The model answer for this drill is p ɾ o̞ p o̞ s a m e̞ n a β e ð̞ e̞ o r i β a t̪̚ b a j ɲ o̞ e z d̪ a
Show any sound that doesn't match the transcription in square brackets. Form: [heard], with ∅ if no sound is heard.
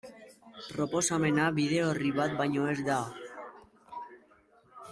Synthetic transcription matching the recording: p ɾ o̞ p o̞ s a m e̞ n a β [i] ð̞ e̞ o r i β a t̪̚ b a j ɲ o̞ e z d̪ a